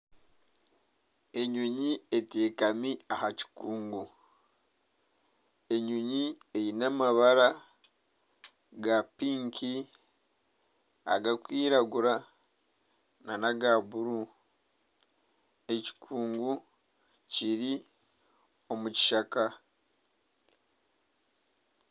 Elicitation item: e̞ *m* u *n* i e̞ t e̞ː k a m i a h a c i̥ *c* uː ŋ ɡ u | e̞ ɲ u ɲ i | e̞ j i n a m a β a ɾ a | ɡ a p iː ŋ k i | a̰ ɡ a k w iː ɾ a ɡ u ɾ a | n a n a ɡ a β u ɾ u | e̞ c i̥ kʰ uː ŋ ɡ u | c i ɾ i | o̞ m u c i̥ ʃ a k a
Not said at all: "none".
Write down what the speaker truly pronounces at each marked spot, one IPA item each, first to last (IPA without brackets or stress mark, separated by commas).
ɲ, ɲ, k